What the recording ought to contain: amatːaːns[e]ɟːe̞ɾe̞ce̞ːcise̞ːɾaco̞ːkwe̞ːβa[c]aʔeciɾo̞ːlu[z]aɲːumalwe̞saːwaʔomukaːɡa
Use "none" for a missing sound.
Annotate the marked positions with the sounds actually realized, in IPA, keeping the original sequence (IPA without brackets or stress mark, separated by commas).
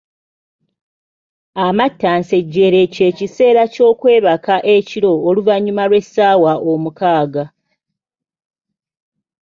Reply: e, k, v